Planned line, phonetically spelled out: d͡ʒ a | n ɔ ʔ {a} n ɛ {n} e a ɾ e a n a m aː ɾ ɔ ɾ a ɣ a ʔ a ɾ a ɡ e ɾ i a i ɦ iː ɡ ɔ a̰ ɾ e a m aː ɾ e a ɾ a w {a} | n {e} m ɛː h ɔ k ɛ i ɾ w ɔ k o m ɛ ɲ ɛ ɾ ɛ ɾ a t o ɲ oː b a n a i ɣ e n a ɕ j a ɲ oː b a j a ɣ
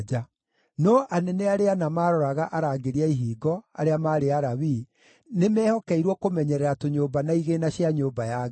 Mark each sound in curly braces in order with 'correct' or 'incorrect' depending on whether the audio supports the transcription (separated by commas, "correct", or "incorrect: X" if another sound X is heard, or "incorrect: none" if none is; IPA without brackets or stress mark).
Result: correct, correct, incorrect: i, correct